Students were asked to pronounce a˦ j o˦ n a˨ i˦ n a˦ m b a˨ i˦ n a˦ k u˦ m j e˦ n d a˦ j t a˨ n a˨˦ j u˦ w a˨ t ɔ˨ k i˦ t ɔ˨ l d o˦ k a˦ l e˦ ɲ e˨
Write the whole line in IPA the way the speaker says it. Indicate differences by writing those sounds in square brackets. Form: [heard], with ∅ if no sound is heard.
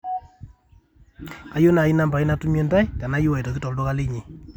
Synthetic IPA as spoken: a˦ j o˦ n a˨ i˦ n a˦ m b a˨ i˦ n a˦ [t] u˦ m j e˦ n d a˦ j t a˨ n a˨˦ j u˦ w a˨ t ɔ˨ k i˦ t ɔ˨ l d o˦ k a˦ l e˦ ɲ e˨